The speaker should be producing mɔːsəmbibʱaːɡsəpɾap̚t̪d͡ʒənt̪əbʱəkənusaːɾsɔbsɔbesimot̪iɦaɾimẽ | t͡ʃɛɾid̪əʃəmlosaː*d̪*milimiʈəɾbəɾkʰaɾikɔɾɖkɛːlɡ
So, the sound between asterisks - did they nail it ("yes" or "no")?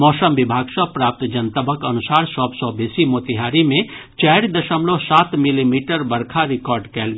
no